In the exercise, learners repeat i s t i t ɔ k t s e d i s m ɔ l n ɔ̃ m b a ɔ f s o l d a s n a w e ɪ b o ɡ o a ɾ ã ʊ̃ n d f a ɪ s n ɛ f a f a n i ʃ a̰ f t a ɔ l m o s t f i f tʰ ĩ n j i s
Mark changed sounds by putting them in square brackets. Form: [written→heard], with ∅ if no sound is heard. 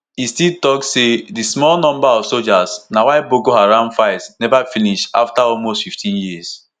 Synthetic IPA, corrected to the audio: i s t i t ɔ k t s e d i s m ɔ l n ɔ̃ m b a ɔ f s o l [d→d͡ʒ] a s n a w [e→a] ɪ b o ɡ o a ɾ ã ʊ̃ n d f a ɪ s n ɛ [f→v] a f [a→i] n i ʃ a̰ f t a ɔ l m o s t f i f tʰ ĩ n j i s